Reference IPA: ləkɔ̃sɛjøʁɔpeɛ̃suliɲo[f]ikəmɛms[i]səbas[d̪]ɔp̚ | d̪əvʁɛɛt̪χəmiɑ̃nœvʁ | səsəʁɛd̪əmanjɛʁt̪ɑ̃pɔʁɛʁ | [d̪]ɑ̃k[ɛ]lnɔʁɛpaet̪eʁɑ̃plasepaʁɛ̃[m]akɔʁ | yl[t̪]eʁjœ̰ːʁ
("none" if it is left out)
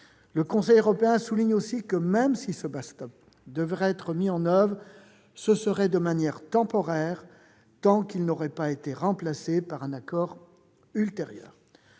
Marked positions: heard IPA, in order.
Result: s, i, t̪, t̪, i, n, t̪

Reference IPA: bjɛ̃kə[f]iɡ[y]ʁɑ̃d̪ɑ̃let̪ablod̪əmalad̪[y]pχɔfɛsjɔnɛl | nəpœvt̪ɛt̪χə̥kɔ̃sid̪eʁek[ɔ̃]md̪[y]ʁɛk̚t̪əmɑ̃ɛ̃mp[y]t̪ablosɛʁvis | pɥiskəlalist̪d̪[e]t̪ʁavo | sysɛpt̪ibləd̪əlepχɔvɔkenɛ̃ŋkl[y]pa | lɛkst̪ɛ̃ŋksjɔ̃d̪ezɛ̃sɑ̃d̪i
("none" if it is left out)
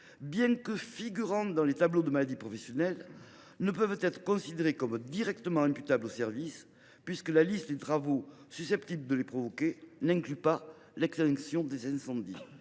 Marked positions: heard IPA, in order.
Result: f, y, i, ɔ, i, y, e, y

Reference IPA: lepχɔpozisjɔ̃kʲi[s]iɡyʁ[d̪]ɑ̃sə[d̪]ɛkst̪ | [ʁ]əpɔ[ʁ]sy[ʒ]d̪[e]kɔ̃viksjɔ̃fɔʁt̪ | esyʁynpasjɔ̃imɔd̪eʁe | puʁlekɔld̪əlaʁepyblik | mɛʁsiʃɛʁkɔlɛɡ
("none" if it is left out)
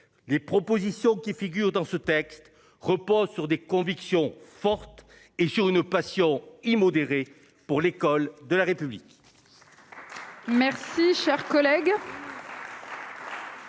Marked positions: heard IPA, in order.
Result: f, d̪, t̪, ʁ, z, ʁ, e

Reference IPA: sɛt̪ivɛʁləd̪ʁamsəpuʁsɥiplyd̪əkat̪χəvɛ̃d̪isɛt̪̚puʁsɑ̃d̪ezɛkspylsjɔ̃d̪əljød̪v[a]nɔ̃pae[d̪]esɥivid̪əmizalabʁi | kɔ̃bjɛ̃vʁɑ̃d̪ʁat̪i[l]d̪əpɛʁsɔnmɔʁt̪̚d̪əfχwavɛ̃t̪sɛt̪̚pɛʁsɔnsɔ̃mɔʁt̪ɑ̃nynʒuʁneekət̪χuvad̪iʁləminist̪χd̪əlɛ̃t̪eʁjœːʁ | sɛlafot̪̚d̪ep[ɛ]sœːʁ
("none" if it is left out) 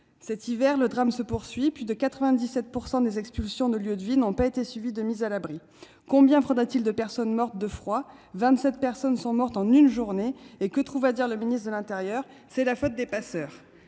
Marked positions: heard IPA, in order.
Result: i, t̪, l, a

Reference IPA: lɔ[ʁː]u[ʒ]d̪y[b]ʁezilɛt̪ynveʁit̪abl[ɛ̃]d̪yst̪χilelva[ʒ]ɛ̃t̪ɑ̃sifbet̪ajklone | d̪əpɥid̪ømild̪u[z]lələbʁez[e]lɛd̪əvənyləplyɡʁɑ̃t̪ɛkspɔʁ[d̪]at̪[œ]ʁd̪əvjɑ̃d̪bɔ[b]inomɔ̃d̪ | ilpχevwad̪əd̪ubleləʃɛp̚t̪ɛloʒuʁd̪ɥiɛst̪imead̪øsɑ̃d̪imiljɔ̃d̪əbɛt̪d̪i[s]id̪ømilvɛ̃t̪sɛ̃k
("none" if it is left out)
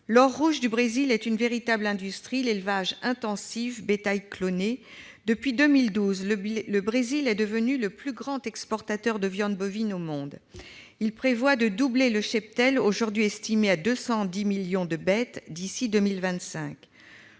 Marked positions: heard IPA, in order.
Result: ʁː, ʒ, b, ɛ̃, ʒ, z, i, t̪, œ, v, s

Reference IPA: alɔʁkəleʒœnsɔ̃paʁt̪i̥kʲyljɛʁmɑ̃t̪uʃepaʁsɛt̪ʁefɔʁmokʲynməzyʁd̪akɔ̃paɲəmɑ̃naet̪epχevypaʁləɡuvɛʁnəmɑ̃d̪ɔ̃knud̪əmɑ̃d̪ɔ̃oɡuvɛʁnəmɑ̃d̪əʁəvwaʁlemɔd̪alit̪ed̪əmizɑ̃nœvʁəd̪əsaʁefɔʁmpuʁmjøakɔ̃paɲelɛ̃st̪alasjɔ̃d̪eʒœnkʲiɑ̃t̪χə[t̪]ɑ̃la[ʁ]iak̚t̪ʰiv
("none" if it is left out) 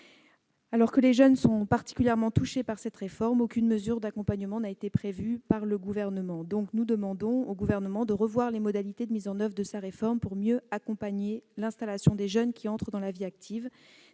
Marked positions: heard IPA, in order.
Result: d̪, v

